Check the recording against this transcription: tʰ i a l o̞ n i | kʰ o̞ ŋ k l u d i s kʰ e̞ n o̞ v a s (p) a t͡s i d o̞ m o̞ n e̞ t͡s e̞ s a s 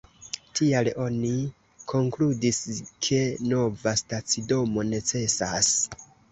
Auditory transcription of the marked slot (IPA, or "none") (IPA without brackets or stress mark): t